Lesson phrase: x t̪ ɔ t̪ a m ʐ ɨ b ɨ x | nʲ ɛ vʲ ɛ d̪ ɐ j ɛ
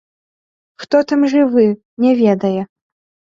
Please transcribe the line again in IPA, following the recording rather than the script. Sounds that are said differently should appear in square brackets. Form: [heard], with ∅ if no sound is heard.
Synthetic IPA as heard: x t̪ ɔ t̪ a m ʐ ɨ [v] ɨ [∅] | nʲ ɛ vʲ ɛ d̪ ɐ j ɛ

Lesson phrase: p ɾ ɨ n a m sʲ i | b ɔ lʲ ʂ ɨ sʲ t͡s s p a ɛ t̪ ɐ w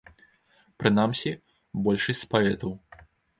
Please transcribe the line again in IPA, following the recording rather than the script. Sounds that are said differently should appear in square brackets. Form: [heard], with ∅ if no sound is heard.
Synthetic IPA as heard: p ɾ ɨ n a m sʲ i | b ɔ lʲ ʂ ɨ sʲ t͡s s p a ɛ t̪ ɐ w

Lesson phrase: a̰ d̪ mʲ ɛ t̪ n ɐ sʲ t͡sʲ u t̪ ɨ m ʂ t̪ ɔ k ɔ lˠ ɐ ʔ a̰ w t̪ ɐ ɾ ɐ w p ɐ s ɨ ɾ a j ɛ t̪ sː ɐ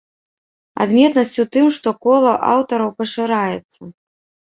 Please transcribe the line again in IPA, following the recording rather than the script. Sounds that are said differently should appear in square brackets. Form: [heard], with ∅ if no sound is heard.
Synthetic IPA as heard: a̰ d̪ mʲ ɛ t̪ n ɐ sʲ t͡sʲ u t̪ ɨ m ʂ t̪ ɔ k ɔ lˠ ɐ ʔ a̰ w t̪ ɐ ɾ ɐ w p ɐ [ʂ] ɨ ɾ a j ɛ t̪ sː ɐ

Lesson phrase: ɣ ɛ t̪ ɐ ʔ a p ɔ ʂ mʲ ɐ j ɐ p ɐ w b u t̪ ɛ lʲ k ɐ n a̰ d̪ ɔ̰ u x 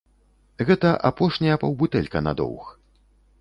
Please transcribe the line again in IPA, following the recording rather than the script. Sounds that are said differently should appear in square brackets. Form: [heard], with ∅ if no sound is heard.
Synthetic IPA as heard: ɣ ɛ t̪ ɐ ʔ a p ɔ ʂ [nʲ] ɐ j ɐ p ɐ w b u t̪ ɛ lʲ k ɐ n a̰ d̪ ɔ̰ [w] x

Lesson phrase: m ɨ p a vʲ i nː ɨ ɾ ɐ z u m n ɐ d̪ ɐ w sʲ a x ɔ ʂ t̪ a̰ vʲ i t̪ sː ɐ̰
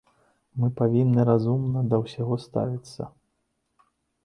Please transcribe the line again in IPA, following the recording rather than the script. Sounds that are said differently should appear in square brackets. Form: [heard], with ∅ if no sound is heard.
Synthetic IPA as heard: m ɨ p a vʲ i nː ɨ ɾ [a] z u m n ɐ d̪ ɐ w sʲ a [ɣ] ɔ [s] t̪ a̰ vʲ i t̪ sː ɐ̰

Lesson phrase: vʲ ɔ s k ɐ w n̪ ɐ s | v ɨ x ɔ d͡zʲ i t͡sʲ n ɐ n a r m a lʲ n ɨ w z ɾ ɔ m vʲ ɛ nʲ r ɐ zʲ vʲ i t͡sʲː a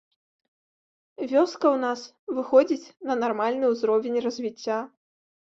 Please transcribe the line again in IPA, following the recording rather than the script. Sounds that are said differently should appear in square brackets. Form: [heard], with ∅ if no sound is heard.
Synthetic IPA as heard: vʲ ɔ s k ɐ w n̪ [a] s | v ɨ x ɔ d͡zʲ i t͡sʲ n ɐ n a r m a lʲ n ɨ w z ɾ ɔ [∅] vʲ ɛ nʲ r ɐ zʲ vʲ i t͡sʲː a

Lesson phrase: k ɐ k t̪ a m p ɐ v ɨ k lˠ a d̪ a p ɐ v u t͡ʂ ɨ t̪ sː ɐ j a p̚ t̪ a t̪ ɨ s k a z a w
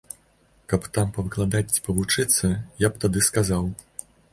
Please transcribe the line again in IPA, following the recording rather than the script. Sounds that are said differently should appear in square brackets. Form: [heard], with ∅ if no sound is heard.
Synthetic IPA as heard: k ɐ [p] t̪ a m p ɐ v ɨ k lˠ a d̪ a p ɐ v u t͡ʂ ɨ t̪ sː ɐ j a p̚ t̪ a [d̪] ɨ s k a z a w

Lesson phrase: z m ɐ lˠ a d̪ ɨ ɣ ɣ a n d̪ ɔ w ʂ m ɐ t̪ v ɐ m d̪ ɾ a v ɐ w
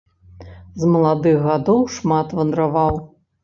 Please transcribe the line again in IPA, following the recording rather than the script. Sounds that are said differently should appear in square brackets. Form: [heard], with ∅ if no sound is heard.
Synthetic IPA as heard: z m ɐ lˠ a d̪ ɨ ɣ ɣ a [∅] d̪ ɔ w ʂ m [a] t̪ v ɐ [n] d̪ ɾ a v [a] w

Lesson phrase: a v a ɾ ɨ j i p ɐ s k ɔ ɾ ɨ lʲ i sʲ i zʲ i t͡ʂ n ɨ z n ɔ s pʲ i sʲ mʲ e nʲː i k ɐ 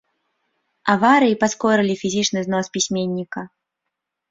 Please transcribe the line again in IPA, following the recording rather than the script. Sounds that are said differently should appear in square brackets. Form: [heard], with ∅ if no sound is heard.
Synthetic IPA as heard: a v a ɾ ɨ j i p [a] s k ɔ ɾ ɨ lʲ i [fʲ] i zʲ i t͡ʂ n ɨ z n ɔ s pʲ i sʲ mʲ e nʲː i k ɐ

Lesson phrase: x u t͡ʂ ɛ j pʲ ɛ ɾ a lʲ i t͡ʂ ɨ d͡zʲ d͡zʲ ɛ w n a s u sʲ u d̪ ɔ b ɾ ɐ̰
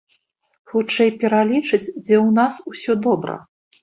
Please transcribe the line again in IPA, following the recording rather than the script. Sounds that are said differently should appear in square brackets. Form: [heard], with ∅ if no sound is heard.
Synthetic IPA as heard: x u t͡ʂ ɛ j pʲ ɛ ɾ a lʲ i t͡ʂ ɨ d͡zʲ d͡zʲ ɛ w n a s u sʲ [ɔ] d̪ ɔ b ɾ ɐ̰

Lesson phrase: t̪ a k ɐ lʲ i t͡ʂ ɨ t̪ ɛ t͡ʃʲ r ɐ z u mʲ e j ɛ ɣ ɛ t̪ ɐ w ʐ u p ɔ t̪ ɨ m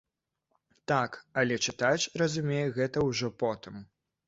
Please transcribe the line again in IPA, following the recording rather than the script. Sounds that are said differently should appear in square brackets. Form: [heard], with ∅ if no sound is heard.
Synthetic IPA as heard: t̪ a k ɐ lʲ [ɛ] t͡ʂ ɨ t̪ [a] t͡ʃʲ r ɐ z u mʲ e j ɛ ɣ ɛ t̪ ɐ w ʐ [ɔ] p ɔ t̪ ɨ m

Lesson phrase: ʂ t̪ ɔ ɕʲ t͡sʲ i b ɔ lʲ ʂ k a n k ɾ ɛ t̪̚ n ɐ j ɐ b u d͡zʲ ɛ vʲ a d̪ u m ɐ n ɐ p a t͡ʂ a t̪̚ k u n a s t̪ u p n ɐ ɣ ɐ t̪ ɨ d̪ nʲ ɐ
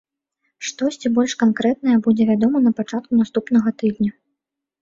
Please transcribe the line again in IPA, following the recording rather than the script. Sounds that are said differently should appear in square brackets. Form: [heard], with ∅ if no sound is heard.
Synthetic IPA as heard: ʂ t̪ ɔ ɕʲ t͡sʲ i b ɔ lʲ ʂ k a n k ɾ ɛ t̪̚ n ɐ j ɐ b u d͡zʲ ɛ vʲ a d̪ [ɔ] m ɐ n ɐ p a t͡ʂ a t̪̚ k u n a s t̪ u p n ɐ ɣ ɐ t̪ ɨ d̪ nʲ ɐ

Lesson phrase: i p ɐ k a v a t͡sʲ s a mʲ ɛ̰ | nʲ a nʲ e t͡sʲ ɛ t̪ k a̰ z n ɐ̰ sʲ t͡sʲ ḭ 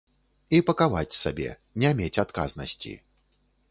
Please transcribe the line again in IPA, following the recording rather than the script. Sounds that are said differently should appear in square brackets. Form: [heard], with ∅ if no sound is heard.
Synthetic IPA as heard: i p ɐ k a v a t͡sʲ s a [bʲ] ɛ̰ | nʲ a [mʲ] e t͡sʲ [a] t̪ k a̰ z n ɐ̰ sʲ t͡sʲ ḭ

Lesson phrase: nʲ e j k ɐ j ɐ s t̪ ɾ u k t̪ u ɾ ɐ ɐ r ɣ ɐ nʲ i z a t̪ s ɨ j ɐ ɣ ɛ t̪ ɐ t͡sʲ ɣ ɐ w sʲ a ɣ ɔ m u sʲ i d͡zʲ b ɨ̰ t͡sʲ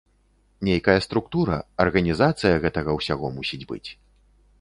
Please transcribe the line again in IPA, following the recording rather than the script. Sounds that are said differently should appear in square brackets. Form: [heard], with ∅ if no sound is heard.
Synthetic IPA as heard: nʲ e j k ɐ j ɐ s t̪ ɾ u k t̪ u ɾ ɐ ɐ r ɣ ɐ nʲ i z a t̪ s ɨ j ɐ ɣ ɛ t̪ ɐ [∅] ɣ ɐ w sʲ a ɣ ɔ m u sʲ i d͡zʲ b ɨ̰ t͡sʲ

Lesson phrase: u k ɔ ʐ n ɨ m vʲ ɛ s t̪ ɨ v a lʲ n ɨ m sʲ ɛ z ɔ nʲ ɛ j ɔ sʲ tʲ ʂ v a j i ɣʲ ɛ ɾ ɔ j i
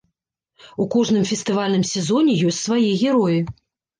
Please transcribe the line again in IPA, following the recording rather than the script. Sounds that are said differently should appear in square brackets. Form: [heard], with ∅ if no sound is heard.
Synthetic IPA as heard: u k ɔ ʐ n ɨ m [fʲ] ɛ s t̪ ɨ v a lʲ n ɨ m sʲ ɛ z ɔ nʲ ɛ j ɔ sʲ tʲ [s] v a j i ɣʲ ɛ ɾ ɔ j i

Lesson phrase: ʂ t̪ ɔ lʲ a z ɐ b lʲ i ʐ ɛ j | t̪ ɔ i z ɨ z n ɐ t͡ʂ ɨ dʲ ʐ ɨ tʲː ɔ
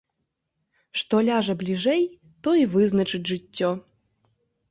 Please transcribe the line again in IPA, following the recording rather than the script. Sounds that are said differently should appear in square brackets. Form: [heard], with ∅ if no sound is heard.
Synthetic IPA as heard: ʂ t̪ ɔ lʲ a [ʐ] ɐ b lʲ i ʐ ɛ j | t̪ ɔ i [v] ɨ z n ɐ t͡ʂ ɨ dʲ ʐ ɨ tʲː ɔ

